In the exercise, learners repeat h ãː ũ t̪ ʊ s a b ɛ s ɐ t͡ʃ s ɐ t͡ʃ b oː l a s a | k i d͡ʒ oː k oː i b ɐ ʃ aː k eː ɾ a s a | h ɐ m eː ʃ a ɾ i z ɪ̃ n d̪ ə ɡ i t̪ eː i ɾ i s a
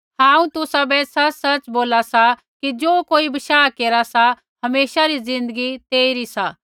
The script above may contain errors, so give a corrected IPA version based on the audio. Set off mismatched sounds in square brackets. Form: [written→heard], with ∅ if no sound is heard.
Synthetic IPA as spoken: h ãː ũ t̪ ʊ s a b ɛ s ɐ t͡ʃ s ɐ t͡ʃ b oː l a s a | k i d͡ʒ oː k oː i b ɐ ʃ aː k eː ɾ a s a | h ɐ m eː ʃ a ɾ i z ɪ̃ n d̪ ə ɡ i t̪ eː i ɾ i s a

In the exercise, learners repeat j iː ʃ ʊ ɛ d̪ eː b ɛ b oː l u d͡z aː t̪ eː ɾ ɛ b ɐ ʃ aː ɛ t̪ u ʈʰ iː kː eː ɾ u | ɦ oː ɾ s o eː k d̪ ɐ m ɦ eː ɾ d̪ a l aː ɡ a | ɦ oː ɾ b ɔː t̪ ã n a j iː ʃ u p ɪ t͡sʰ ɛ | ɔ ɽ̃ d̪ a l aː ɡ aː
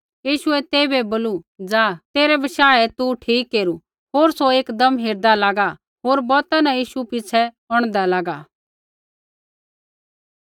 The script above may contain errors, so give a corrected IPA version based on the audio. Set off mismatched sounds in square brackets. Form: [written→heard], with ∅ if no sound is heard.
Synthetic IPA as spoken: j iː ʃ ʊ ɛ [d̪→t̪] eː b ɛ b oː l u d͡z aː t̪ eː ɾ ɛ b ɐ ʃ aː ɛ t̪ u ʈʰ iː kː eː ɾ u | ɦ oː ɾ s o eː k d̪ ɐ m ɦ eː ɾ d̪ a l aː ɡ a | ɦ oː ɾ b ɔː t̪ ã n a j iː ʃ u p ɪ t͡sʰ ɛ | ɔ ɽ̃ d̪ a l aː ɡ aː

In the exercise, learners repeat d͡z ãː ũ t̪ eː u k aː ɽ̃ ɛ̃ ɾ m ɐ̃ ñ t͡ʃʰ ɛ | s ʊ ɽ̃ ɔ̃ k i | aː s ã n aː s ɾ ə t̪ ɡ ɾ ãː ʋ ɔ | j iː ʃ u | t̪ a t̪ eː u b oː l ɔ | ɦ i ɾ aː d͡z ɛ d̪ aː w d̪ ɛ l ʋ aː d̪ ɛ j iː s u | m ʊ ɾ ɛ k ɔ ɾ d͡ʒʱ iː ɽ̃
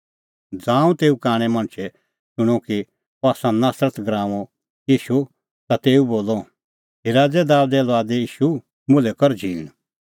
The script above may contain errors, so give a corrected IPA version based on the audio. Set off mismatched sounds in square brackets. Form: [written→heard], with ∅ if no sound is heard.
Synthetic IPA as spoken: d͡z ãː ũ t̪ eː u k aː ɽ̃ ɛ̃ [ɾ→∅] m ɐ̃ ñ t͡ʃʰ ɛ | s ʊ ɽ̃ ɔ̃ k i | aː s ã n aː s ɾ ə t̪ ɡ ɾ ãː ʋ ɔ | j iː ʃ u | t̪ a t̪ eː u b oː l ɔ | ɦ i ɾ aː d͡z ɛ d̪ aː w d̪ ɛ l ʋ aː d̪ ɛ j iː [s→ʃ] u | m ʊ [ɾ→l] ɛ k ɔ ɾ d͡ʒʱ iː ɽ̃

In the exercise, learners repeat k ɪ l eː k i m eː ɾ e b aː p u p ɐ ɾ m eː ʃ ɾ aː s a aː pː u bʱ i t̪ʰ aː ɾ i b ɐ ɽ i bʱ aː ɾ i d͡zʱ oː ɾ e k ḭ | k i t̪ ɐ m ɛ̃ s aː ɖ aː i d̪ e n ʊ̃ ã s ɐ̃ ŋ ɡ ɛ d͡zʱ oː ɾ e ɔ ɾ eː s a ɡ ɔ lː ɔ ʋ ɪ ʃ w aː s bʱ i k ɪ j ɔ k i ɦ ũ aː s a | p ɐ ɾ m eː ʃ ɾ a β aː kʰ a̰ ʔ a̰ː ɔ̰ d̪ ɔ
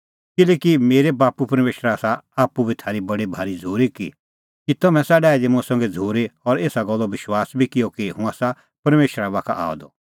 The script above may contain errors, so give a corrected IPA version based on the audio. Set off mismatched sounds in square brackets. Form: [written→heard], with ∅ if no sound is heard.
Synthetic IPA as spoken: k ɪ l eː k i m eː ɾ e b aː p u p ɐ ɾ m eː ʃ ɾ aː s a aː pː u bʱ i t̪ʰ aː ɾ i b ɐ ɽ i bʱ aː ɾ i d͡zʱ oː ɾ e k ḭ | k i t̪ ɐ m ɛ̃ s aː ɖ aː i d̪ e [n→m] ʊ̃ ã s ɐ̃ ŋ ɡ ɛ d͡zʱ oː ɾ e ɔ ɾ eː s a ɡ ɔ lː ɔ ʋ ɪ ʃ w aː s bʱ i k ɪ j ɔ k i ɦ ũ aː s a | p ɐ ɾ m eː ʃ ɾ a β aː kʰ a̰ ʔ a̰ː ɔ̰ d̪ ɔ

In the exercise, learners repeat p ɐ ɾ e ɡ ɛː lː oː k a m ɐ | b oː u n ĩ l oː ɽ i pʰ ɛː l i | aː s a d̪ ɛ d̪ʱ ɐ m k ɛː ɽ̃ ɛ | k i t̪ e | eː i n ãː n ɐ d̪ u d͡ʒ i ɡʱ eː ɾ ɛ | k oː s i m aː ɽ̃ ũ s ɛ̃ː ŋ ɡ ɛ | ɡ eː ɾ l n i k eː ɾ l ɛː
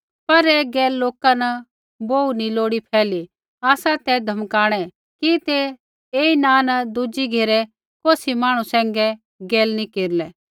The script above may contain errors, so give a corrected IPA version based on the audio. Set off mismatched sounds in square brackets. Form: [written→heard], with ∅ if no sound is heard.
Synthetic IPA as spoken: p ɐ ɾ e ɡ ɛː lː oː k a [m→n] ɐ | b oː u n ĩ l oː ɽ i pʰ ɛː l i | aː s a [d̪→t̪] ɛ d̪ʱ ɐ m k [ɛː→aː] ɽ̃ ɛ | k i t̪ e | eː i n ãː n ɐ d̪ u d͡ʒ i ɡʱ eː ɾ ɛ | k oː s i m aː ɽ̃ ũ s ɛ̃ː ŋ ɡ ɛ | ɡ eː [ɾ→∅] l n i k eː ɾ l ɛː

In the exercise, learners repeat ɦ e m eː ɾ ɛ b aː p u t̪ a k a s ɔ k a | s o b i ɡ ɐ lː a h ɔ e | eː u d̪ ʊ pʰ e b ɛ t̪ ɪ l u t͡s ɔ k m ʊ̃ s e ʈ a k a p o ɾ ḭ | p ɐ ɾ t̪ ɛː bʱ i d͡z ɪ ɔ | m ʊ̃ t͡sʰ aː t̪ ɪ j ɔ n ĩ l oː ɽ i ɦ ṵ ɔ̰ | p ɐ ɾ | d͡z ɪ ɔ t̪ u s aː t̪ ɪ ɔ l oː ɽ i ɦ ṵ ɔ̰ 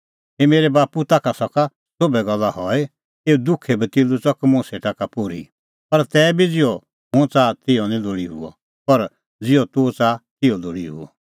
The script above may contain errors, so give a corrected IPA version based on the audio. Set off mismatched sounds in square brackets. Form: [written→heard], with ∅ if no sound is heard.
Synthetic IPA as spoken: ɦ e m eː ɾ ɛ b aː p u t̪ a k a s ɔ k a | s o b [i→ɛ] ɡ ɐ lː a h ɔ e | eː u d̪ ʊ [pʰ→kʰ] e b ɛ t̪ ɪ l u t͡s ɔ k m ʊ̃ s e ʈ a k a p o ɾ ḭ | p ɐ ɾ t̪ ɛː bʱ i d͡z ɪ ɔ | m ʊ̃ [t͡sʰ→t͡s] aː t̪ ɪ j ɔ n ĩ l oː ɽ i ɦ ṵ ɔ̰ | p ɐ ɾ | d͡z ɪ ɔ t̪ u [s→t͡s] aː t̪ ɪ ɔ l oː ɽ i ɦ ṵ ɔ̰

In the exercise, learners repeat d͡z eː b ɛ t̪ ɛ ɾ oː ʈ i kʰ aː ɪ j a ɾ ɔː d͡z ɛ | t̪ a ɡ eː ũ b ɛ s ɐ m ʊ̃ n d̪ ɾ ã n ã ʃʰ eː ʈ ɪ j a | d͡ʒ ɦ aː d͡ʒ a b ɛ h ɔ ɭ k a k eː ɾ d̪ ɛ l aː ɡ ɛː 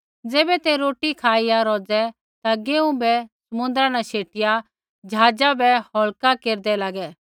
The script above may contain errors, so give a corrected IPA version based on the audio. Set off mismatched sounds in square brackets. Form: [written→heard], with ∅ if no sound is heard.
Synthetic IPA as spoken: d͡z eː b ɛ t̪ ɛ ɾ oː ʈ i kʰ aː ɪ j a ɾ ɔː d͡z ɛ | t̪ a ɡ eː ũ b ɛ s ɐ m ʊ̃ n d̪ ɾ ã n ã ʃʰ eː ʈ ɪ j a | d͡ʒ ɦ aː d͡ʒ a b ɛ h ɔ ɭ k a k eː ɾ d̪ ɛ l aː ɡ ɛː

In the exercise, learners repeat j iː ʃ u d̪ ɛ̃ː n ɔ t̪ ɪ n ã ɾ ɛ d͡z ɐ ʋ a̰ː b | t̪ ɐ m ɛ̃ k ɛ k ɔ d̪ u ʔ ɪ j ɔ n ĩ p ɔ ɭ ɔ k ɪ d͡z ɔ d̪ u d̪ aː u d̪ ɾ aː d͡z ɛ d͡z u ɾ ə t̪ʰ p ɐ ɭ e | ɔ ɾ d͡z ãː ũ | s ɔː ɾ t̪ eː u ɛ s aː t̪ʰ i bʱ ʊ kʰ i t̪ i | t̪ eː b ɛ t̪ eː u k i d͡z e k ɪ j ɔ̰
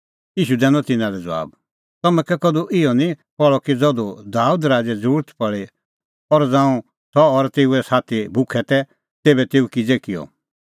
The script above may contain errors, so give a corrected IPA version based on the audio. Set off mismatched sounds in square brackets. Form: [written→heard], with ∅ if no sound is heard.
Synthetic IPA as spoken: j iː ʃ u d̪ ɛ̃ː n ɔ t̪ ɪ n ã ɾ ɛ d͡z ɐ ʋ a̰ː b | t̪ ɐ m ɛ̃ k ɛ k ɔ d̪ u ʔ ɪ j ɔ n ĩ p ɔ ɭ ɔ k [ɪ→i] d͡z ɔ d̪ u d̪ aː u d̪ ɾ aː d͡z ɛ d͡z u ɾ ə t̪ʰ p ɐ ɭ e | ɔ ɾ d͡z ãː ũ | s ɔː ɾ t̪ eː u ɛ s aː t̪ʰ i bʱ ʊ kʰ [i→ɛ] t̪ [i→ɛ] | t̪ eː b ɛ t̪ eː u k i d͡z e k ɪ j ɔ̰

